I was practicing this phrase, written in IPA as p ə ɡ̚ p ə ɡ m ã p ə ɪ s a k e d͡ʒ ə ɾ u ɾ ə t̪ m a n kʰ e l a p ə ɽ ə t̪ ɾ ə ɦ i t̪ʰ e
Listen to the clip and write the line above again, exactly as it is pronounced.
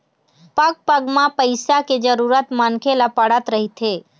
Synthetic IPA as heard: p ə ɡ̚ p ə ɡ m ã p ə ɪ s a k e d͡ʒ ə ɾ u ɾ ə t̪ m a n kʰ e l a p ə ɽ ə t̪ ɾ ə ɦ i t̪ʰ e